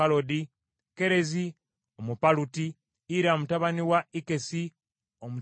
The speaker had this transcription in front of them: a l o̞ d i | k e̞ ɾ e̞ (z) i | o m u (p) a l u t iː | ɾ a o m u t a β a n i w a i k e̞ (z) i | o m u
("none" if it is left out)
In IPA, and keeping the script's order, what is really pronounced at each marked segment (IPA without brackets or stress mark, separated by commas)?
z, p, s